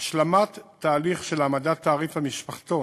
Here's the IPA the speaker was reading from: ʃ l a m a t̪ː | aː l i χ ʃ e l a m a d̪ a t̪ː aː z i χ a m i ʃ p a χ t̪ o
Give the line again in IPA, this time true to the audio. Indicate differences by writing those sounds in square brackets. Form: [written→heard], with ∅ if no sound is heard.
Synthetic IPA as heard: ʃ l a m a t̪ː | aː l i χ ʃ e l a m a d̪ a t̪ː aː [z→ʁ] i [χ→f] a m i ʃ p a χ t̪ o